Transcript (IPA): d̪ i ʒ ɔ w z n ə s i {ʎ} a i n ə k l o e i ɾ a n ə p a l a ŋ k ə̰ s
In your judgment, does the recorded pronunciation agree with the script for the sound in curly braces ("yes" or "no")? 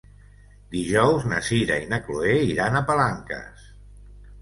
no